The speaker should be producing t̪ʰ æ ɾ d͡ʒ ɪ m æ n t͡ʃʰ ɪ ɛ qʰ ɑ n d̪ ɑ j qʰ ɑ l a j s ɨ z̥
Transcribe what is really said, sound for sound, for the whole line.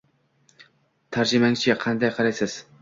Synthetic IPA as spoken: t̪ʰ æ ɾ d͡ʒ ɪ m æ ŋ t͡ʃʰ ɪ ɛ qʰ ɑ n d̪ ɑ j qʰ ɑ ɾ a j s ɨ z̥